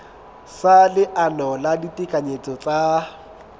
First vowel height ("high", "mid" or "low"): low